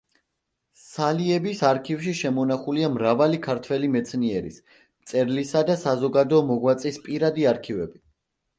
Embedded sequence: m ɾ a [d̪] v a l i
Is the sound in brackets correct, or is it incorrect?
incorrect